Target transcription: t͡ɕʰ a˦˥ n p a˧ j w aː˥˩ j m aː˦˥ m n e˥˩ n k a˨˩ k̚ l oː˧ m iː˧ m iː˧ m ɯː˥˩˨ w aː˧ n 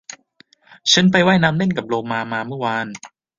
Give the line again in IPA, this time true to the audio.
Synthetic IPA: t͡ɕʰ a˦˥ n p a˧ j w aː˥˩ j n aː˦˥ m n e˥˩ n k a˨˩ p̚ l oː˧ m aː˧ m aː˧ m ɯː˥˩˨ w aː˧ n